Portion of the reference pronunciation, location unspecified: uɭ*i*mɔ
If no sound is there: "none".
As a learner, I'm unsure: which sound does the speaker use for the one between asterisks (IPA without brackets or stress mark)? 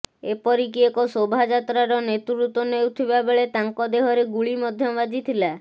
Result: i